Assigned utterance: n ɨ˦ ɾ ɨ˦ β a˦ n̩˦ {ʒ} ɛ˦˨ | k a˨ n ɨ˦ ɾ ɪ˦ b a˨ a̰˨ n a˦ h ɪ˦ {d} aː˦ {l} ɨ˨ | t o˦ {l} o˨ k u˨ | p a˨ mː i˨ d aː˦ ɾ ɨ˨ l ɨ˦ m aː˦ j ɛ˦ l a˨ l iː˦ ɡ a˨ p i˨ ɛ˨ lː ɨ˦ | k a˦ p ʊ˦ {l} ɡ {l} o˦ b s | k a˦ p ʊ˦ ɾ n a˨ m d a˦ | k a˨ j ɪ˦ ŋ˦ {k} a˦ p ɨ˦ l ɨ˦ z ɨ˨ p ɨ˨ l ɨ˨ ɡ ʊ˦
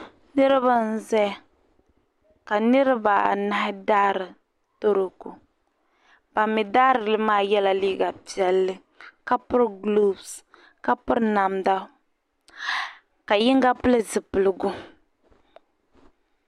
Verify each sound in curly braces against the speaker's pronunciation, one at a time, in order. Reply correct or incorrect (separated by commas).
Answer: incorrect, correct, incorrect, incorrect, incorrect, correct, incorrect